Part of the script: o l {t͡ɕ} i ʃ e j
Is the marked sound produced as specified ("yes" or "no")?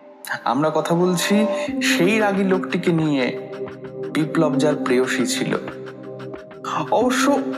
no